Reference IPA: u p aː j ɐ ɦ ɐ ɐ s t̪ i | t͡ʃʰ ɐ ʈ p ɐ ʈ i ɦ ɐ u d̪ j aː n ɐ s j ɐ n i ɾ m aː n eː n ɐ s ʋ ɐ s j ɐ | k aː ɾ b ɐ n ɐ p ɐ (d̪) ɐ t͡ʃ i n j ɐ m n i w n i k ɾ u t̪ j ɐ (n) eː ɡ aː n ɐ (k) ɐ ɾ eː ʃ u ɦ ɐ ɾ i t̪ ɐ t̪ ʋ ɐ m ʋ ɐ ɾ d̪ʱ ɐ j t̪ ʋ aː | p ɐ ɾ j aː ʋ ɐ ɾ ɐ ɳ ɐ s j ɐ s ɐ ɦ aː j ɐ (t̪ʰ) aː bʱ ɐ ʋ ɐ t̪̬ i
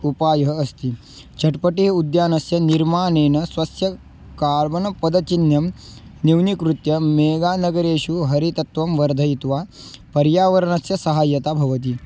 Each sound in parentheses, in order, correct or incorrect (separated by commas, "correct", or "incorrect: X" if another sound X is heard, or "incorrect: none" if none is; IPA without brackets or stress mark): correct, incorrect: m, incorrect: ɡ, incorrect: t̪